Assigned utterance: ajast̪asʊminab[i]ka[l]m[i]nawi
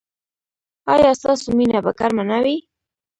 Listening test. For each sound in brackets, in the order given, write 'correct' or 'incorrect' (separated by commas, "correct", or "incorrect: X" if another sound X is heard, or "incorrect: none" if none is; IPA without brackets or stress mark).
incorrect: a, incorrect: ɾ, incorrect: a